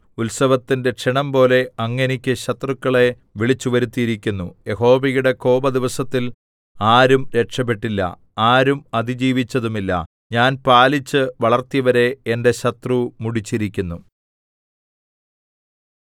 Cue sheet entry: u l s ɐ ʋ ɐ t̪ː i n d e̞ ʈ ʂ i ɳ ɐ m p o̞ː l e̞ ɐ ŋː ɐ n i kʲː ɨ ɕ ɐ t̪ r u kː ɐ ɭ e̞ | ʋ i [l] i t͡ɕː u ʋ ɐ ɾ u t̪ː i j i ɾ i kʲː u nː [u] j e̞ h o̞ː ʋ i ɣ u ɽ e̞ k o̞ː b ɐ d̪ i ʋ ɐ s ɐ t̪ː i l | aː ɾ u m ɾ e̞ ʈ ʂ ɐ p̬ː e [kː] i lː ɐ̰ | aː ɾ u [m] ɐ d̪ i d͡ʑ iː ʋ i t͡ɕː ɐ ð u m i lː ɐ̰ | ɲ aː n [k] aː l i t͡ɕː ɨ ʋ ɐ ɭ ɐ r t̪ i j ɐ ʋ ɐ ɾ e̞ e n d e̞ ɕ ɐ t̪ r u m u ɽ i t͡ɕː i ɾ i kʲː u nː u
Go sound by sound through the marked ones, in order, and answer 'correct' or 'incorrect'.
incorrect: ɭ, correct, incorrect: ʈː, correct, incorrect: p

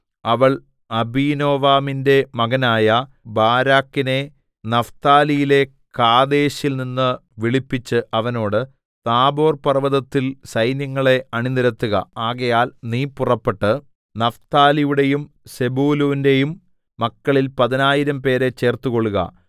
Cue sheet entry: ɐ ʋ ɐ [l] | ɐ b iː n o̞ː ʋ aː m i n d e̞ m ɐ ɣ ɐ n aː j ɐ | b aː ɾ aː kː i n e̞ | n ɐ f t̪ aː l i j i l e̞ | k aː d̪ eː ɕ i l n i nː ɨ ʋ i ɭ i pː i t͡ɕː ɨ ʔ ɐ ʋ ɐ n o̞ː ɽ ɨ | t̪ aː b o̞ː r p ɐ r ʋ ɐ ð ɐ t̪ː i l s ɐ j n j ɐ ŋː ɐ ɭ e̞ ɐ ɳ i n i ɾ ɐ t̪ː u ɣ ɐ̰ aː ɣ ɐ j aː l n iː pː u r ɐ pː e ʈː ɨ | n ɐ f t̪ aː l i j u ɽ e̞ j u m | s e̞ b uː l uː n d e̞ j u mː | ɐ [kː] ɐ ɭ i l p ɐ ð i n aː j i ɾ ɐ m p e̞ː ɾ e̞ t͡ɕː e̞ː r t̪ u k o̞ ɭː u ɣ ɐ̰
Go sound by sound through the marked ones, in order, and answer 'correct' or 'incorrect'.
incorrect: ɭ, correct

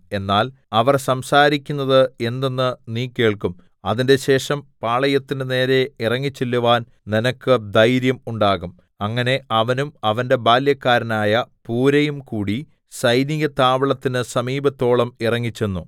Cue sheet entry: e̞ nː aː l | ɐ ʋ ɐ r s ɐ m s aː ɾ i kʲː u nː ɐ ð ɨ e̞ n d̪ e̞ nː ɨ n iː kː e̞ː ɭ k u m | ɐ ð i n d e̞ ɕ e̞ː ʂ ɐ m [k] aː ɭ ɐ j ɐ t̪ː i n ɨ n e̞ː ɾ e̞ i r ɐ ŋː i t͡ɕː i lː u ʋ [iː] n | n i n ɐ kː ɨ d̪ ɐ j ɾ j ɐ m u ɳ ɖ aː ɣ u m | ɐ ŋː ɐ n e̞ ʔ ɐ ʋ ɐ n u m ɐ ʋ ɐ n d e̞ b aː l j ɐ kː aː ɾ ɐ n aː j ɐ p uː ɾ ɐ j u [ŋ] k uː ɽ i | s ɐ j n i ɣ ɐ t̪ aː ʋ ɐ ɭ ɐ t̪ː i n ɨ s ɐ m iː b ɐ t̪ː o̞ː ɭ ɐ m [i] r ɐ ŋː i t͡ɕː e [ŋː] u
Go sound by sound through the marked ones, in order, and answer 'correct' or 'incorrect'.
incorrect: p, incorrect: aː, incorrect: m, correct, incorrect: nː

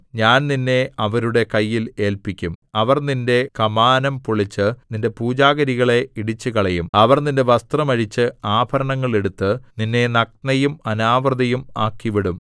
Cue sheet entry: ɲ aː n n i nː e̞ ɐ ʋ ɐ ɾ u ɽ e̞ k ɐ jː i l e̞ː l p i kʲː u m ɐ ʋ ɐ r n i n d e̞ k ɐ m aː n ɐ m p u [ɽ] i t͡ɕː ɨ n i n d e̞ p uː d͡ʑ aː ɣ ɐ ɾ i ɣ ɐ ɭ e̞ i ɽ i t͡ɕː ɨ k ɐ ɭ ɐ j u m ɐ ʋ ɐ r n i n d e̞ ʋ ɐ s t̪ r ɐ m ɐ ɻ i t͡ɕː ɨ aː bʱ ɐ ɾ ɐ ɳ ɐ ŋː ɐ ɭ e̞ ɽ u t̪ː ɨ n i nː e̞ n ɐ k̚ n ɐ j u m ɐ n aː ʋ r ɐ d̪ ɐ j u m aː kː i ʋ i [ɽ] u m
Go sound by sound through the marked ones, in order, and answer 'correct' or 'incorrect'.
incorrect: ɭ, correct

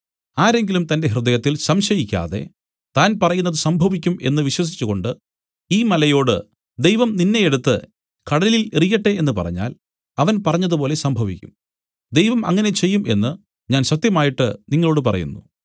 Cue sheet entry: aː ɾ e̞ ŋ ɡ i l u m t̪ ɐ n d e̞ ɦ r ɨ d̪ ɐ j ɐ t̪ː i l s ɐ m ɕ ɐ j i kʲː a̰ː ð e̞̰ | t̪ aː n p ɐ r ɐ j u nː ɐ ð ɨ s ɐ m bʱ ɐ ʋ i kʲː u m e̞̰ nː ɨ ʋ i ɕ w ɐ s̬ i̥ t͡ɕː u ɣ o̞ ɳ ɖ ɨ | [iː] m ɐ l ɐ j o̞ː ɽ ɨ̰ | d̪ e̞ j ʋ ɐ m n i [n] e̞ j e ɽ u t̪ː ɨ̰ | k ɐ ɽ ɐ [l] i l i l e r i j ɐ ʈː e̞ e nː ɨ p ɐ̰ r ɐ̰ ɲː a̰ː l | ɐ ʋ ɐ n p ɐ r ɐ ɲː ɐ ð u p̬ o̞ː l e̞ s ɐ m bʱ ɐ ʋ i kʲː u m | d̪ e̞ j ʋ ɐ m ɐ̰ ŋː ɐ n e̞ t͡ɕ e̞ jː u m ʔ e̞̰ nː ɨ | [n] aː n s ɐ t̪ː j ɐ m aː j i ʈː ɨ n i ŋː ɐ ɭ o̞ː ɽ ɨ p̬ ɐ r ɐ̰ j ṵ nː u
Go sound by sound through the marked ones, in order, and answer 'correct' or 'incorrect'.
correct, incorrect: nː, correct, incorrect: ɲ

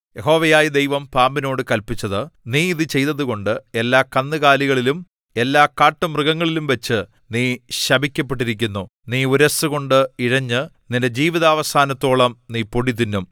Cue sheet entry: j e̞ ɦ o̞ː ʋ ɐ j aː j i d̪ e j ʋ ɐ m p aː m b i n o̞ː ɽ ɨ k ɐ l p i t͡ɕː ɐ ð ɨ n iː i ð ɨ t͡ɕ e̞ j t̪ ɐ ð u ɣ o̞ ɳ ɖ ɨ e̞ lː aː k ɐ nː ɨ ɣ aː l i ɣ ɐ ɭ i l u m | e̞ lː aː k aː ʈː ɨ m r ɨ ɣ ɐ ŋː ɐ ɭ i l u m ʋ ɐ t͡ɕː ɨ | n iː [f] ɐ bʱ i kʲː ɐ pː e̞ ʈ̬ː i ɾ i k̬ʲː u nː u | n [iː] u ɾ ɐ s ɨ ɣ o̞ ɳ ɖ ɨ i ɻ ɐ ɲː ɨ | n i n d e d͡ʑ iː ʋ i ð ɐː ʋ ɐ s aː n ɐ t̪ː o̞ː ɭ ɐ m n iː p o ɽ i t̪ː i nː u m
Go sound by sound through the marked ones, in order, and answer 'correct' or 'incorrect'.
incorrect: ɕ, correct

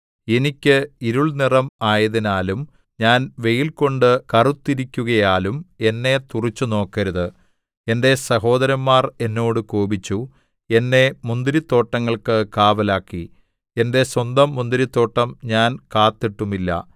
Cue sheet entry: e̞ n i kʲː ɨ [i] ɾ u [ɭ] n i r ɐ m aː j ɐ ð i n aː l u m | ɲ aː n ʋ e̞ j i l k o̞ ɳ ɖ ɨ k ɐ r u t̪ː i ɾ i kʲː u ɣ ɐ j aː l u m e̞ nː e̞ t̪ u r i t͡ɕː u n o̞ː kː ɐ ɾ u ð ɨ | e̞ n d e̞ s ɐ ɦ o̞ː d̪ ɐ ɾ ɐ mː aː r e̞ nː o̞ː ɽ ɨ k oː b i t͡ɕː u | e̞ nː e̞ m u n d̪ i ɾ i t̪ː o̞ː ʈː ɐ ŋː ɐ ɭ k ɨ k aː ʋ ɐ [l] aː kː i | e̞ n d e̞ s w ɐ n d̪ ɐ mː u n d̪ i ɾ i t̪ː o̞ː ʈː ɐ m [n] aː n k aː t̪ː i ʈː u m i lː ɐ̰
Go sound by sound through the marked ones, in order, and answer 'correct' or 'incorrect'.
correct, correct, correct, incorrect: ɲ

